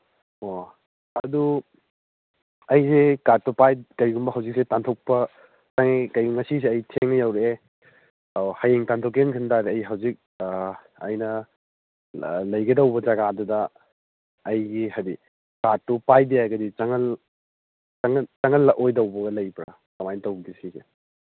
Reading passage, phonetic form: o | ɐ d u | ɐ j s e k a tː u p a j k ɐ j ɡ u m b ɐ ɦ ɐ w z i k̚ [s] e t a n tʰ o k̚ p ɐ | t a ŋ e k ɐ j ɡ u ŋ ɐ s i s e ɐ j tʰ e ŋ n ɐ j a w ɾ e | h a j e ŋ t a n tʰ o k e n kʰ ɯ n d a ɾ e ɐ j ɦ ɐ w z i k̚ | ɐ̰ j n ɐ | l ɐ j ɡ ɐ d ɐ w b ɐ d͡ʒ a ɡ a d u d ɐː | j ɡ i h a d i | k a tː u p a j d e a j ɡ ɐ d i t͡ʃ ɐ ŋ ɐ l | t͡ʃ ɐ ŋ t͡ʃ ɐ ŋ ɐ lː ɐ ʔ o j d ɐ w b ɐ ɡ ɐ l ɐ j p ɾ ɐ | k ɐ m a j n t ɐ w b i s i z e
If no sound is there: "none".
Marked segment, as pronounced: s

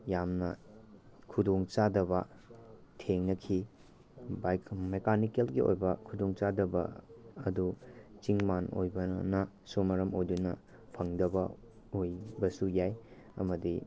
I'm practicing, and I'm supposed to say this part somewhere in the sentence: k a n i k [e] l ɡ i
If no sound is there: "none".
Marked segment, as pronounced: e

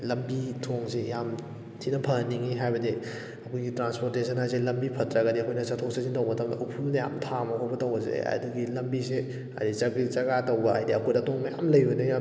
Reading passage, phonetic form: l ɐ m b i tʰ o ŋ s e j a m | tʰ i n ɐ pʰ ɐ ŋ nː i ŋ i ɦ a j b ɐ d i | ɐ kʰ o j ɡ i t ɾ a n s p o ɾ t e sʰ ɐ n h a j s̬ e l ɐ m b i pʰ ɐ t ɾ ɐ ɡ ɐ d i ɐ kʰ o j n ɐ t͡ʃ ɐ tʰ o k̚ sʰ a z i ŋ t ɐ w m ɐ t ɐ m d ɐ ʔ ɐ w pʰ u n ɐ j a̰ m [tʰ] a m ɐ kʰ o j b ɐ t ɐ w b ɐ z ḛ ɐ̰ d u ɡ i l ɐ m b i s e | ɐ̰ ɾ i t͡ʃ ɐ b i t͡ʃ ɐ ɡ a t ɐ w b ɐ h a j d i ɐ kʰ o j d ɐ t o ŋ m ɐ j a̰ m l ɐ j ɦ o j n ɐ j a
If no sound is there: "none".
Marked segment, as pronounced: tʰ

